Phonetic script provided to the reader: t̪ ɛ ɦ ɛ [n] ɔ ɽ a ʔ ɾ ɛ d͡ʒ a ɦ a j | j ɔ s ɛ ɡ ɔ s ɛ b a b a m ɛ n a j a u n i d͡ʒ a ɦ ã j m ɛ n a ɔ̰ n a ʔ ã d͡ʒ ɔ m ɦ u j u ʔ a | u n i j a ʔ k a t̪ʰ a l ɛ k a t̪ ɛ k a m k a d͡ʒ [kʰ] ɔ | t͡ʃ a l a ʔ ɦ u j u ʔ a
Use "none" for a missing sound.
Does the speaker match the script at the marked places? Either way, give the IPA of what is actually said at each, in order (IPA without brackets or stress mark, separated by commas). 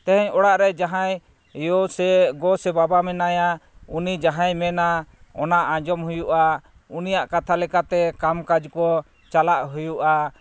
ɲ, k